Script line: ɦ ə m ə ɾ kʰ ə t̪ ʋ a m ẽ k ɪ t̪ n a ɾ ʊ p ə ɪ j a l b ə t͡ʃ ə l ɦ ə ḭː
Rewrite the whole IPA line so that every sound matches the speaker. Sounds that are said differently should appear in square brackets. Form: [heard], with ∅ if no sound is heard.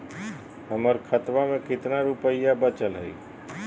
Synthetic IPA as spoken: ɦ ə m ə ɾ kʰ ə t̪ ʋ a m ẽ k ɪ t̪ n a ɾ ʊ p ə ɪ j a [∅] b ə t͡ʃ ə l ɦ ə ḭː